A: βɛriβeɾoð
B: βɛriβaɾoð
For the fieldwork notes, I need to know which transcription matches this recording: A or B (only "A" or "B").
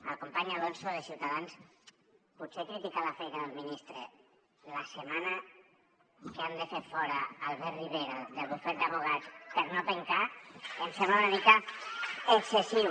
A